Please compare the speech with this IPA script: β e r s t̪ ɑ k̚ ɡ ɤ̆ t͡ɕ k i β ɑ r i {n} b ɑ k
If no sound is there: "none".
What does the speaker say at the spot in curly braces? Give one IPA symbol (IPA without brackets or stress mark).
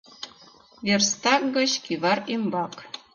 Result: m